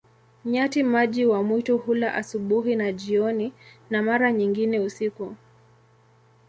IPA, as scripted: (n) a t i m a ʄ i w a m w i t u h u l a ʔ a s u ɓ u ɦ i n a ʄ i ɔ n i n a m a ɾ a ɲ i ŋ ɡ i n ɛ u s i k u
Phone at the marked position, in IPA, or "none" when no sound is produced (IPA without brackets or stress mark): ɲ